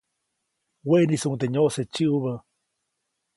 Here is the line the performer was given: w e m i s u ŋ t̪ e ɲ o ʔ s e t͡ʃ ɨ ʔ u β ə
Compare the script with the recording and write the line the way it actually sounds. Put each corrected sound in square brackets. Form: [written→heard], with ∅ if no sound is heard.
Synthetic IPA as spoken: w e [m→n] i s u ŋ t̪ e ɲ o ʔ s e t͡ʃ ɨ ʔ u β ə